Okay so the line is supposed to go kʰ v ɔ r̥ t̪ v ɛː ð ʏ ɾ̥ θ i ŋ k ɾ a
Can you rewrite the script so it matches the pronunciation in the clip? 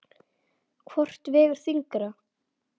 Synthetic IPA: kʰ v ɔ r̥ t̪ v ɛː ɣ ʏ ɾ̥ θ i ŋ k ɾ a